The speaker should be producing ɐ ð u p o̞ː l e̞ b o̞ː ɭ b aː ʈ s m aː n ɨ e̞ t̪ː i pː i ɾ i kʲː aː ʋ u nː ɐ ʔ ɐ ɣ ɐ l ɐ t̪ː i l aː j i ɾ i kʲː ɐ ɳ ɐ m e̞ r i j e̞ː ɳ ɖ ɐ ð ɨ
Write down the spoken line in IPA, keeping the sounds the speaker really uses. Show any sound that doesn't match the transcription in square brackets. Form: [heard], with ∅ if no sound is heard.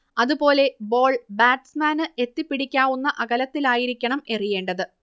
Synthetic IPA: ɐ ð u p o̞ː l e̞ b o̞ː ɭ b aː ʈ s m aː n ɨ e̞ t̪ː i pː i [ɽ] i kʲː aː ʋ u nː ɐ ʔ ɐ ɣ ɐ l ɐ t̪ː i l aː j i ɾ i kʲː ɐ ɳ ɐ m e̞ r i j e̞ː ɳ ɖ ɐ ð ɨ